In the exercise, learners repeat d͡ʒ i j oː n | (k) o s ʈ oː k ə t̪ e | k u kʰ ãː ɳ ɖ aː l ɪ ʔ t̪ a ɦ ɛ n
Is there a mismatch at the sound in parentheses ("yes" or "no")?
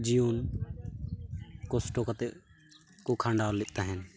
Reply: no